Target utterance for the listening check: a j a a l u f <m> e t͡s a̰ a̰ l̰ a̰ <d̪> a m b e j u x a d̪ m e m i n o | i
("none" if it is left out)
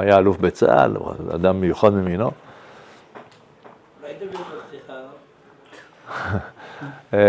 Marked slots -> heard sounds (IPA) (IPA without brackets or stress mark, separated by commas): b, d̪